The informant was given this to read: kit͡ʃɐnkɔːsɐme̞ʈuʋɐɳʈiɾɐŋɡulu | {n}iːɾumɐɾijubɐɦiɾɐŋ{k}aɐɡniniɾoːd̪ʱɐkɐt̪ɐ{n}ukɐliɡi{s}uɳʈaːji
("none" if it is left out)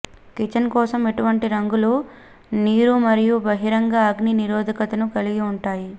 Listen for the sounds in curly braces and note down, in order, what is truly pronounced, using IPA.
n, ɡ, n, none

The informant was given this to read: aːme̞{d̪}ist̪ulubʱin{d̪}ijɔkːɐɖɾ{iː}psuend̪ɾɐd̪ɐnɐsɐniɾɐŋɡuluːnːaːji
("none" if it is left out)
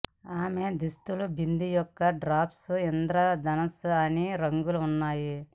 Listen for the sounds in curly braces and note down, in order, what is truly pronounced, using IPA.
d̪, d̪, aː

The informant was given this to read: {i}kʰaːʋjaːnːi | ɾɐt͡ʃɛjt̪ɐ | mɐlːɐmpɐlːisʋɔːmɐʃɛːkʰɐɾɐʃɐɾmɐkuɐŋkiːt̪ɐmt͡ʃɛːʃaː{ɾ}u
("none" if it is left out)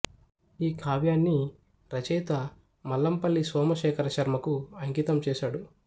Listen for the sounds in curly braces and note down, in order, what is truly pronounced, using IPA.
iː, ɽ

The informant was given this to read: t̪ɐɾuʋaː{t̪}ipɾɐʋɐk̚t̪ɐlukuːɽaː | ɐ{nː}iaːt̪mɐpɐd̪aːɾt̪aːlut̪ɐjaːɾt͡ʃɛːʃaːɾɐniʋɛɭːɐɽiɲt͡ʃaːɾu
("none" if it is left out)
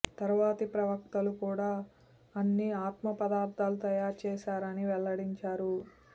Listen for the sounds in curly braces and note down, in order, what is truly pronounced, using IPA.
t̪, nː

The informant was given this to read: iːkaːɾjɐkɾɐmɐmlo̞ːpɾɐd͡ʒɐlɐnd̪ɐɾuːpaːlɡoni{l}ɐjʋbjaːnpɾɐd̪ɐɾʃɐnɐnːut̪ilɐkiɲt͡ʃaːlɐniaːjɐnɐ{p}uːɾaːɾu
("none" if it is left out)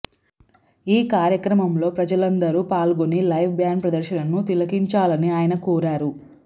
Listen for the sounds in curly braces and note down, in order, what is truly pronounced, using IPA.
l, k

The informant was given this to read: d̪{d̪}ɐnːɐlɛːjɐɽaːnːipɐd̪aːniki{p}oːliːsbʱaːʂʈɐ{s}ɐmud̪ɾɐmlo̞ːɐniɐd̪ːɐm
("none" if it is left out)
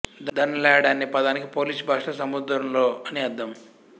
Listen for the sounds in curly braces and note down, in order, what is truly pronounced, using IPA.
d̪, p, s

